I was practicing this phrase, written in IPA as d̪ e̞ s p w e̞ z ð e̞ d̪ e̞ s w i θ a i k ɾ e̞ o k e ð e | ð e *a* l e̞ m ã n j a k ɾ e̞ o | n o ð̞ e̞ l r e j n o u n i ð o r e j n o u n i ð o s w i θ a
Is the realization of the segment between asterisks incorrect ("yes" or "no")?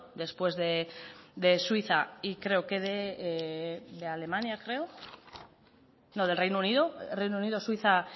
no